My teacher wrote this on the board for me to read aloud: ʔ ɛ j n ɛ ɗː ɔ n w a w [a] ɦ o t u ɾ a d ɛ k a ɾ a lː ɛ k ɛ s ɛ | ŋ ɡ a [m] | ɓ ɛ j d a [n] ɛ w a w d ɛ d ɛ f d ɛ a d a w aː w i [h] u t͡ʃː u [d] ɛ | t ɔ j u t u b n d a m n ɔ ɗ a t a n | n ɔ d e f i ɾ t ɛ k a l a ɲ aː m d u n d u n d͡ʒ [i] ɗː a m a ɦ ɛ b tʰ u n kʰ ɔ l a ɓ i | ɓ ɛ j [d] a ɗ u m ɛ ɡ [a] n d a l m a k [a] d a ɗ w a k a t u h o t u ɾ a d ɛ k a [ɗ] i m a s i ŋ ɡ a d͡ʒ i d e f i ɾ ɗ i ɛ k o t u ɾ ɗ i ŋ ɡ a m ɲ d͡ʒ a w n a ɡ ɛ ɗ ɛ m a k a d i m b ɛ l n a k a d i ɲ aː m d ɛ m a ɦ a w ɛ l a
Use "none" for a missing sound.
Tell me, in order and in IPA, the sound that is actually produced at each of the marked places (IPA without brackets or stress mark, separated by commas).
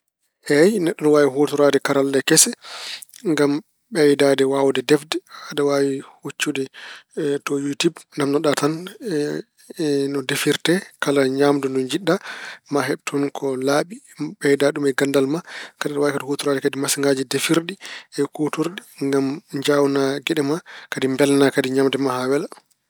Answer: i, m, d, h, d, i, d, a, a, d